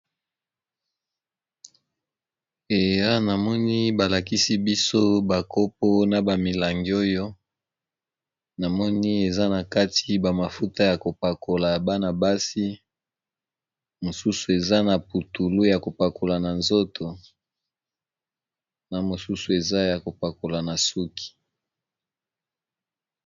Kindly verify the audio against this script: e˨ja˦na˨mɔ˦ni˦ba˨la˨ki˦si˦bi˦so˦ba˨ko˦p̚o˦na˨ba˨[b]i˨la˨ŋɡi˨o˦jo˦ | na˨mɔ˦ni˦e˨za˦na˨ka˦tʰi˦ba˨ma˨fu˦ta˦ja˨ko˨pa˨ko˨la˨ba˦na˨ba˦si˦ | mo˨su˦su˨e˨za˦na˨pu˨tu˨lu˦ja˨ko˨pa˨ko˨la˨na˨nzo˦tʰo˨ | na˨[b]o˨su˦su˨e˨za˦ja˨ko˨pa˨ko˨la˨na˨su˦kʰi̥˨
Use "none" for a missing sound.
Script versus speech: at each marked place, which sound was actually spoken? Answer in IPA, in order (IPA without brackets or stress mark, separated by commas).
m, m